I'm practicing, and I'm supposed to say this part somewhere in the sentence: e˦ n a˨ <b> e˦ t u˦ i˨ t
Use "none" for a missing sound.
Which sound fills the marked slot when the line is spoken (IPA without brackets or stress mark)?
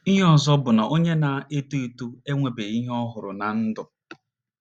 none